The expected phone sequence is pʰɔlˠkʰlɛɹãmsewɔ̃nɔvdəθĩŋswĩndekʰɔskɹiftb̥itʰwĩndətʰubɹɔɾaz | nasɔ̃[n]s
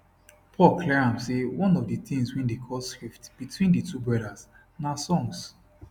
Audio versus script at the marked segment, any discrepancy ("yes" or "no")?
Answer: yes